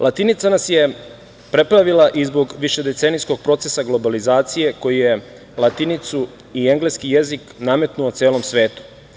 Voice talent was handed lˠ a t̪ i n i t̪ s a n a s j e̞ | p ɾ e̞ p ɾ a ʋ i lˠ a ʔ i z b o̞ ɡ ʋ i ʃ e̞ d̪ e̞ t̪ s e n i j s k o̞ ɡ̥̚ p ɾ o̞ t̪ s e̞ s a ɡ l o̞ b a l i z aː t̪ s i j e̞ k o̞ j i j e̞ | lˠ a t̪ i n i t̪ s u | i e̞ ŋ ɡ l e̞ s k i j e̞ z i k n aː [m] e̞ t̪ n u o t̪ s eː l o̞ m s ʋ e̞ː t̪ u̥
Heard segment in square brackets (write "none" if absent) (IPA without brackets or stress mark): m